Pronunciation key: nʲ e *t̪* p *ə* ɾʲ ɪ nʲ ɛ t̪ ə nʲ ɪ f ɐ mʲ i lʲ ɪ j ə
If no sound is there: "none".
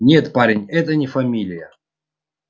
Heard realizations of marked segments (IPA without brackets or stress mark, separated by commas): t̪, a